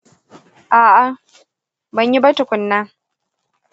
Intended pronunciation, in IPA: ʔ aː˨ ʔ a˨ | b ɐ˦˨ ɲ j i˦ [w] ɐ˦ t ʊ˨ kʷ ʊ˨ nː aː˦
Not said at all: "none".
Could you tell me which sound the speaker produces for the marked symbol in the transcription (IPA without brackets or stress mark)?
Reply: b